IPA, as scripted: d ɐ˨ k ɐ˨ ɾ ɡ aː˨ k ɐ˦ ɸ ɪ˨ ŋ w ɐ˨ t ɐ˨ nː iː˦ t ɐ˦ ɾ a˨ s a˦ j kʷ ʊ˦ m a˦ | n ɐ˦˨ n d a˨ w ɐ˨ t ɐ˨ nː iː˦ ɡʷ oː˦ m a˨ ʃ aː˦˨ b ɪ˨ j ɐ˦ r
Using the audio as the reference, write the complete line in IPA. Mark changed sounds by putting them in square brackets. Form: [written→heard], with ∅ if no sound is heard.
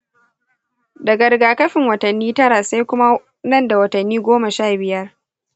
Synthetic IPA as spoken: d ɐ˨ [k→ɡ] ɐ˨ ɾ ɡ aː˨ k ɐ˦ ɸ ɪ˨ ŋ w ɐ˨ t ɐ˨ nː iː˦ t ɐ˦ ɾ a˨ s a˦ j kʷ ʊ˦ m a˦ | n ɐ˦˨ n d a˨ w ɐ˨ t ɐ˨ nː iː˦ ɡʷ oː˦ m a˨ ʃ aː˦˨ b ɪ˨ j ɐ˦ r